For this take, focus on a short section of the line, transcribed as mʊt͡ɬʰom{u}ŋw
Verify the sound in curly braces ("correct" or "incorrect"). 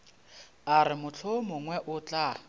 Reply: incorrect